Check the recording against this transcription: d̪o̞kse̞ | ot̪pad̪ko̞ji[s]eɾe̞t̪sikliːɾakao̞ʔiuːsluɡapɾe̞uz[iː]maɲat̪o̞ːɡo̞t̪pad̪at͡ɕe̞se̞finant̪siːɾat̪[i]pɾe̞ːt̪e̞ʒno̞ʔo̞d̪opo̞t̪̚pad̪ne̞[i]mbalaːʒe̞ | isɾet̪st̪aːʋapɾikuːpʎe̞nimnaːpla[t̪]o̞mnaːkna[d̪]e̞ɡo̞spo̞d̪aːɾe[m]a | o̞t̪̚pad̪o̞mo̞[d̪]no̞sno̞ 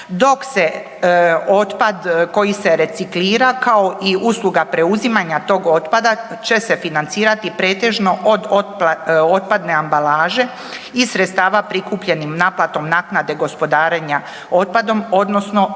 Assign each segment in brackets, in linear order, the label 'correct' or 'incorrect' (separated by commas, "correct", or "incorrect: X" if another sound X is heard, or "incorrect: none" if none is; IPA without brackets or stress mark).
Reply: correct, incorrect: i, correct, incorrect: a, correct, correct, incorrect: ɲ, correct